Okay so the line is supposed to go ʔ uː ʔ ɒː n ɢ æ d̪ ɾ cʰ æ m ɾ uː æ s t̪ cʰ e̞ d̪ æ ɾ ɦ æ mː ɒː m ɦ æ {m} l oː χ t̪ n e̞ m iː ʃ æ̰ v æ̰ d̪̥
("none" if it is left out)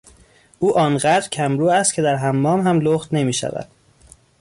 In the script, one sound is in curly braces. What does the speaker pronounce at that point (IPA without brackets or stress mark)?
m